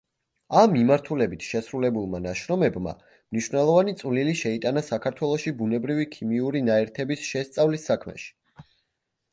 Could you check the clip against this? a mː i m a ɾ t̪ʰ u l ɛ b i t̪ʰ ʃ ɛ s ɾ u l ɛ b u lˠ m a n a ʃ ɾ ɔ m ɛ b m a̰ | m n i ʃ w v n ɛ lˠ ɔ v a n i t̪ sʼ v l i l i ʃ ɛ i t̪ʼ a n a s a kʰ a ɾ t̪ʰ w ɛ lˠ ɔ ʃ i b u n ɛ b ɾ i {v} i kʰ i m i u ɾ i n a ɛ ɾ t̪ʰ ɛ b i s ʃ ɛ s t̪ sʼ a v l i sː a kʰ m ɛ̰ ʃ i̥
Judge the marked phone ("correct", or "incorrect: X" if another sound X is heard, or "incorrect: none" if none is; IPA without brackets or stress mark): correct